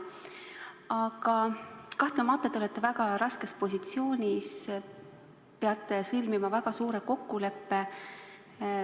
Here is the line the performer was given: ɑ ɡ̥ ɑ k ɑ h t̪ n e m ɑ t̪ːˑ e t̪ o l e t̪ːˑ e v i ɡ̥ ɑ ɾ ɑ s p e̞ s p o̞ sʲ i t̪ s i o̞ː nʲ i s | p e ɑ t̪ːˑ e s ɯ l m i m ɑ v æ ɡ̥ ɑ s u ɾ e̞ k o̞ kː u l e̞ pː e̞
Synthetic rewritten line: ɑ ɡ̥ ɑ k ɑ h t̪ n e m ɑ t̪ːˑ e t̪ o l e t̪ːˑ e v æ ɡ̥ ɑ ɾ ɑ s k e̞ s p o̞ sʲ i t̪ s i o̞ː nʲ i s | p e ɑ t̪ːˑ e s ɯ l m i m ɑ v æ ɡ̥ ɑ s uː ɾ e̞ k o̞ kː u l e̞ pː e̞